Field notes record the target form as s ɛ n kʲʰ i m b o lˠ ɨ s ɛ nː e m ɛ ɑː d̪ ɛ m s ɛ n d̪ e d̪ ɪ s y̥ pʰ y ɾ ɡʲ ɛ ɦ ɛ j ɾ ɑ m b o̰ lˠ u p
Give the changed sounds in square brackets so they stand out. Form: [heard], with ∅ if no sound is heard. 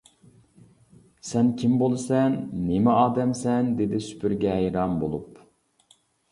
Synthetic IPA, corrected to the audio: s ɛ n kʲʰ i m b o lˠ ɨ s ɛ nː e m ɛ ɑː d̪ ɛ m s ɛ n d̪ e d̪ ɪ s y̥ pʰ y ɾ ɡʲ ɛ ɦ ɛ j ɾ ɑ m b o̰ lˠ u p